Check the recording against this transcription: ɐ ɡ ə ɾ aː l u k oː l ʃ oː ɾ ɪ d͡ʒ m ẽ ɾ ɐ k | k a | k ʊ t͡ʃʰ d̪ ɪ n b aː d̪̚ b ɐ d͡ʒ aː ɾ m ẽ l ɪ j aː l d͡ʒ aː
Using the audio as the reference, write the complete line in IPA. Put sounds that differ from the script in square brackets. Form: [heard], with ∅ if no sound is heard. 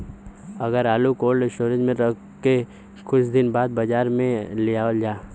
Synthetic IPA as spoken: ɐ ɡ ə ɾ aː l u k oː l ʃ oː ɾ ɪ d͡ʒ m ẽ ɾ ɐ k | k [e] | k ʊ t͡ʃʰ d̪ ɪ n b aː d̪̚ b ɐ d͡ʒ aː ɾ m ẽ l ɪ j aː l d͡ʒ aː

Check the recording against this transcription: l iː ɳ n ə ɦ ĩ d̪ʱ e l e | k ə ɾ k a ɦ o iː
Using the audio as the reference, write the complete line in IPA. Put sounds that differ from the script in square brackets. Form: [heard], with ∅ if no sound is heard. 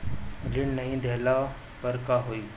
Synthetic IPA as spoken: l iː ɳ n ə ɦ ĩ d̪ʱ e l [a] | [p] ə ɾ k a ɦ o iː

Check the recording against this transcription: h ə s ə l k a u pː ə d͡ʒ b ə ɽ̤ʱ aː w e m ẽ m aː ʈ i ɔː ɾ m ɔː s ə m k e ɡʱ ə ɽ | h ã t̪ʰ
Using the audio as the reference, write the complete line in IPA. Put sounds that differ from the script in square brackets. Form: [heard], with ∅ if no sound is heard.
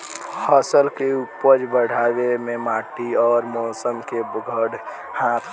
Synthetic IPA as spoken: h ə s ə l k [e] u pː ə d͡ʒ b ə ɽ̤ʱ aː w e m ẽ m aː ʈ i ɔː ɾ m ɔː s ə m k e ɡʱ ə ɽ | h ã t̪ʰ

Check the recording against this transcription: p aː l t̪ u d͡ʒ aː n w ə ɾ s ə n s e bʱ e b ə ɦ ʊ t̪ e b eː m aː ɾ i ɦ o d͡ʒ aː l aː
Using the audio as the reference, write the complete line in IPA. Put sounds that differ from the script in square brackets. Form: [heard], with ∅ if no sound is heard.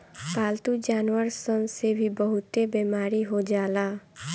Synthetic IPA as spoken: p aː l t̪ u d͡ʒ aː n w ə ɾ s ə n s e bʱ [i] b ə ɦ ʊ t̪ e b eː m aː ɾ i ɦ o d͡ʒ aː l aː

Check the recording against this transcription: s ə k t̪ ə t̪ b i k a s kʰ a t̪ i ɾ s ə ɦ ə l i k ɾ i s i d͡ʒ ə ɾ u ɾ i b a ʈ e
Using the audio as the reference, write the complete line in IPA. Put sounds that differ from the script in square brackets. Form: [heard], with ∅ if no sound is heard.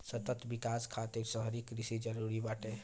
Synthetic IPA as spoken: s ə [∅] t̪ ə t̪ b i k a s kʰ a t̪ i ɾ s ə ɦ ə [ɾ] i k ɾ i s i d͡ʒ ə ɾ u ɾ i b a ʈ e

